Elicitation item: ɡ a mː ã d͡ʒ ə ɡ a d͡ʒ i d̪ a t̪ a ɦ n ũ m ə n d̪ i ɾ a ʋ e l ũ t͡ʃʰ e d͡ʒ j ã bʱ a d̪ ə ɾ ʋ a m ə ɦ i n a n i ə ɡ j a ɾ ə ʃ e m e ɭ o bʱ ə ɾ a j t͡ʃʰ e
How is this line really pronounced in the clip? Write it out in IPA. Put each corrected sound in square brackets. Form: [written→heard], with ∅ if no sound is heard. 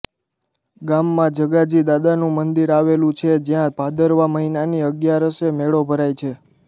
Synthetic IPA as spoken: ɡ a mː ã d͡ʒ ə ɡ a d͡ʒ i d̪ a [t̪→d̪] a [ɦ→∅] n ũ m ə n d̪ i ɾ a ʋ e l ũ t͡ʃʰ e d͡ʒ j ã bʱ a d̪ ə ɾ ʋ a m ə ɦ i n a n i ə ɡ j a ɾ ə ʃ e m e ɭ o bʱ ə ɾ a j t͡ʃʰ e